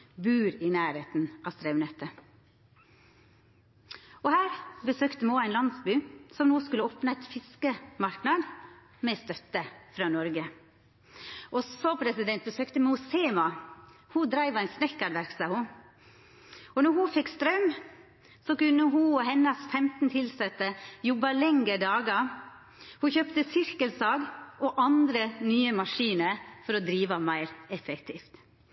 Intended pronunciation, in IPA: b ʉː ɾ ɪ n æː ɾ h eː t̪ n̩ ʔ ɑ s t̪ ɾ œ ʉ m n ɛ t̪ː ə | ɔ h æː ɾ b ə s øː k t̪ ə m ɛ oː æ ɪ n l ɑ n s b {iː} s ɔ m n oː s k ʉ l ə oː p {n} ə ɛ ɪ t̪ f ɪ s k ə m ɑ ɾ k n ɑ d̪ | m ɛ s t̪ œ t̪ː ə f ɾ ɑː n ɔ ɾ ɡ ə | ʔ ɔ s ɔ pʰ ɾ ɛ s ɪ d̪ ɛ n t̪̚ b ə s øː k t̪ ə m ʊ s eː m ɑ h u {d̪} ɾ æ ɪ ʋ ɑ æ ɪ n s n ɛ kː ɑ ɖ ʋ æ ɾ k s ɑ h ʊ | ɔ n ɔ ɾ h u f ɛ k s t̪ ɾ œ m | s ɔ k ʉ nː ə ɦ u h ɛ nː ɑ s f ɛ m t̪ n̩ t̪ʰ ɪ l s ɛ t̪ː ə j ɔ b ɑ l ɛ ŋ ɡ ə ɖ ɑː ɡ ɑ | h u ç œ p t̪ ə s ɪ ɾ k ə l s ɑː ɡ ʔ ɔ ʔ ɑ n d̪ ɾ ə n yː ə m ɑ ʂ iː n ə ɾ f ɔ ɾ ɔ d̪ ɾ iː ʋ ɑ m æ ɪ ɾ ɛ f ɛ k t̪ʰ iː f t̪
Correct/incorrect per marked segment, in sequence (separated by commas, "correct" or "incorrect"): incorrect, correct, correct